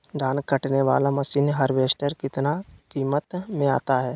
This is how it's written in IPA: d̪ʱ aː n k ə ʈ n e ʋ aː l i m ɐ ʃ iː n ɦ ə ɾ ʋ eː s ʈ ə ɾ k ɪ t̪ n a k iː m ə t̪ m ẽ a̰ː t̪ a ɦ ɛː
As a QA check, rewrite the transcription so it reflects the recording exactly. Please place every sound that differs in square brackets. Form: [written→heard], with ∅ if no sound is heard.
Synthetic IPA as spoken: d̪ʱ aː n k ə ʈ n e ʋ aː l [i→a] m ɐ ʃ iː n ɦ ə ɾ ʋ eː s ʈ ə ɾ k ɪ t̪ n a k iː m ə t̪ m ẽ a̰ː t̪ a ɦ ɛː